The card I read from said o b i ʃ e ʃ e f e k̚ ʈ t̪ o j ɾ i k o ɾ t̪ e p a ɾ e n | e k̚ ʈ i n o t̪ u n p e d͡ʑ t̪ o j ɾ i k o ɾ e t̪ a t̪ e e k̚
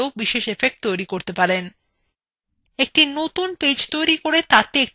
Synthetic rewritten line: o b i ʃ e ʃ e f e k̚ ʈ t̪ o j ɾ i k o ɾ t̪ e p a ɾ e n | e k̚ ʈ i n o t̪ u n p e d͡ʑ t̪ o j ɾ i k o ɾ e t̪ a t̪ e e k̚